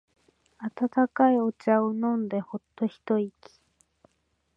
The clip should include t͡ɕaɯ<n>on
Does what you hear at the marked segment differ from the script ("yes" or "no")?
no